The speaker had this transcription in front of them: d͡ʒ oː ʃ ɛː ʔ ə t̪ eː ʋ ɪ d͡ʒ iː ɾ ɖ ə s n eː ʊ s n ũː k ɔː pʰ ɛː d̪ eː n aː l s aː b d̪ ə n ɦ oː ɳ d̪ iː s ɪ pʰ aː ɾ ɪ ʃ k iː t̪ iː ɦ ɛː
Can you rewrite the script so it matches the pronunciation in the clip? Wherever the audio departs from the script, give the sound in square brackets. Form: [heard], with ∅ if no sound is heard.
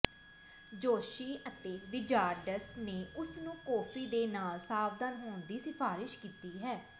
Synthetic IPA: d͡ʒ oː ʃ [iː] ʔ ə t̪ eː ʋ ɪ d͡ʒ [aː] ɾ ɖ ə s n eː ʊ s n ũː k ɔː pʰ [iː] d̪ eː n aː l s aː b d̪ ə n ɦ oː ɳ d̪ iː s ɪ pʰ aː ɾ ɪ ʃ k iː t̪ iː ɦ ɛː